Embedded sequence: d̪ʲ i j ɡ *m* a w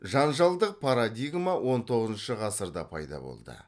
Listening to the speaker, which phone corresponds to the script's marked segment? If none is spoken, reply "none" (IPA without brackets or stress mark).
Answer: m